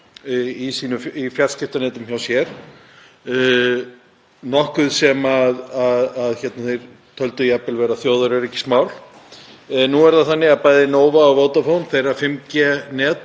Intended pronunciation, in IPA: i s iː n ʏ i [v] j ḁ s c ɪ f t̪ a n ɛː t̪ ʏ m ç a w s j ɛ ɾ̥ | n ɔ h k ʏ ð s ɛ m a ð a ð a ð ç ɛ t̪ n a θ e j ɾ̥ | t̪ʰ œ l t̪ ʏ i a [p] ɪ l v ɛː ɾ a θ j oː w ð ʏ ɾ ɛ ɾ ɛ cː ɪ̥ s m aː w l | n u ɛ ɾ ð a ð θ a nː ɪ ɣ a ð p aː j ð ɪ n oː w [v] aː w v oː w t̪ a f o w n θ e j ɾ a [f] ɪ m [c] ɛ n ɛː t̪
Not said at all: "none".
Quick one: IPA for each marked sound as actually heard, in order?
f, p, v, f, c

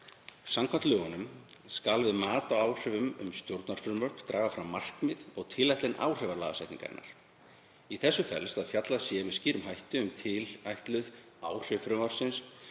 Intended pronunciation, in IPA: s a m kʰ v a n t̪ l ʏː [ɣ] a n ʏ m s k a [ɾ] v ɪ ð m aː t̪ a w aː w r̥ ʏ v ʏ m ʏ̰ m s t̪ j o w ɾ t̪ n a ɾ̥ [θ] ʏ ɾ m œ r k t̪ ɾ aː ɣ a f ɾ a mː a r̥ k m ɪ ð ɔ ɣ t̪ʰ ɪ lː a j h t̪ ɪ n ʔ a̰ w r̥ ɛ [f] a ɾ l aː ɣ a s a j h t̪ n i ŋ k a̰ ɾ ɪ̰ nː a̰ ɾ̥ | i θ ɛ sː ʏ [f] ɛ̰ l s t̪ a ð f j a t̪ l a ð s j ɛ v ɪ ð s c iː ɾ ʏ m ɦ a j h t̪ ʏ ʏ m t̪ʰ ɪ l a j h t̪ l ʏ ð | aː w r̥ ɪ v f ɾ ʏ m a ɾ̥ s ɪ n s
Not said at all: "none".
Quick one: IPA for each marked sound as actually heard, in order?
ɣ, l, f, v, f

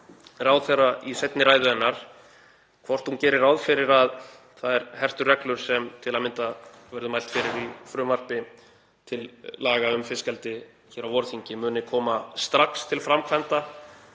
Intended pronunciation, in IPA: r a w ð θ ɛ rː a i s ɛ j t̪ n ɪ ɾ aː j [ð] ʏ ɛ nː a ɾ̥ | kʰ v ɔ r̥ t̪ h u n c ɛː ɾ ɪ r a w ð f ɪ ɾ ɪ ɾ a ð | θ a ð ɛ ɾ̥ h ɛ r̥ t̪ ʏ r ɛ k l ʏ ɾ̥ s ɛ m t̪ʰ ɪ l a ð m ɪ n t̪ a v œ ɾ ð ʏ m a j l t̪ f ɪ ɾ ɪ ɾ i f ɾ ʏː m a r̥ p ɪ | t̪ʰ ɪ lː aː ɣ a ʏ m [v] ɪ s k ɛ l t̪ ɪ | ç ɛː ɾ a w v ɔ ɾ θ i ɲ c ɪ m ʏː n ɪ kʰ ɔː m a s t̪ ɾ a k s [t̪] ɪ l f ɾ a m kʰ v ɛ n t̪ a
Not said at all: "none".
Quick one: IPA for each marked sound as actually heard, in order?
ð, f, t̪ʰ

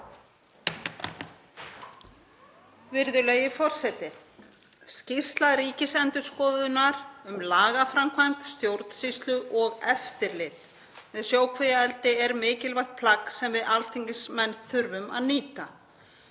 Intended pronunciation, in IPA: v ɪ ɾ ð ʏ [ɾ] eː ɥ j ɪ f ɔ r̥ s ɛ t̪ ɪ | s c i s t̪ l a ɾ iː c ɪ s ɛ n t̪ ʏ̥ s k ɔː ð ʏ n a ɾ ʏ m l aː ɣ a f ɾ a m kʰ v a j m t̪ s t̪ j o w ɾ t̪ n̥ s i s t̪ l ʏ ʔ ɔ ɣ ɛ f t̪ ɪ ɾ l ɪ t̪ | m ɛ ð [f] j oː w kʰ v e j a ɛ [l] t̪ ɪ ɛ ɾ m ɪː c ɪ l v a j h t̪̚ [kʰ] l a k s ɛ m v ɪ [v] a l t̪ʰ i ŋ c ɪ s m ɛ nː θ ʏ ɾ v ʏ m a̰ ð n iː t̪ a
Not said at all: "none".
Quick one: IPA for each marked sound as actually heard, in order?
l, s, l, pʰ, ð

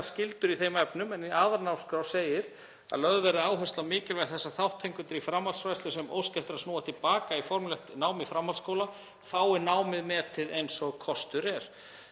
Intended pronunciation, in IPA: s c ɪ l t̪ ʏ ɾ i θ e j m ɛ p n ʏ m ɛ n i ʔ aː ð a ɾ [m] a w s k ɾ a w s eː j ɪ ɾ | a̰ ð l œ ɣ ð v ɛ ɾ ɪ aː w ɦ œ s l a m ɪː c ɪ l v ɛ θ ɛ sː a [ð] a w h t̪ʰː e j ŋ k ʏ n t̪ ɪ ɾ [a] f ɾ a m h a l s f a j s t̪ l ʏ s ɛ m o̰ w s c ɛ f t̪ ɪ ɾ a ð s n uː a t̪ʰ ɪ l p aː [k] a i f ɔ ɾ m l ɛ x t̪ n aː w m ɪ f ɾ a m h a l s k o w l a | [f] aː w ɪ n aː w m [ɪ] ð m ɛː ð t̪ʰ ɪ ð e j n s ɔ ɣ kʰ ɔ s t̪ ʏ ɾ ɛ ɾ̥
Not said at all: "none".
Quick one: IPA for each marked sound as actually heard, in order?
n, θ, i, k, f, ɪ

